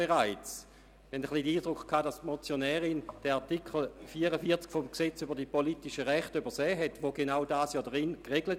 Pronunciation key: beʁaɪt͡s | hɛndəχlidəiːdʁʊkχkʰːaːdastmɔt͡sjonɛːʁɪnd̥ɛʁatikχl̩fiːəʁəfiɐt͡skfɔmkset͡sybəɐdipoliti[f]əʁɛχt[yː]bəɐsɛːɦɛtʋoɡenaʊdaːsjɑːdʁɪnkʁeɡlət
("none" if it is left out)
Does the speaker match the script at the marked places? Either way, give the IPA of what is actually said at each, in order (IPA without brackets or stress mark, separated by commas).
ʃ, y